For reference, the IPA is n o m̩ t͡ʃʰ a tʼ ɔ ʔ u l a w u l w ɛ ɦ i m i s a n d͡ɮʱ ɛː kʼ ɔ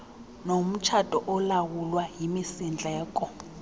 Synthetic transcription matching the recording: n o m̩ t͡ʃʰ a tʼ ɔ ʔ ɔ l a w u l w a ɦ i m i s i n d͡ɮʱ ɛː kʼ ɔ